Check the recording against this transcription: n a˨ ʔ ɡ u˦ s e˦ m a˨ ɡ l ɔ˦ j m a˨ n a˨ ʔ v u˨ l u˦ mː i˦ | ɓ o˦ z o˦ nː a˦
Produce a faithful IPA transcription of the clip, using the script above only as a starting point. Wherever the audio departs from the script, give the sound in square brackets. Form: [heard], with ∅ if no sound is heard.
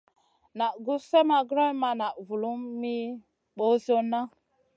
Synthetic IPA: n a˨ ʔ ɡ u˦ s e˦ m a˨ ɡ [ɾ] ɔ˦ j m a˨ n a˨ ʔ v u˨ l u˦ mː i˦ | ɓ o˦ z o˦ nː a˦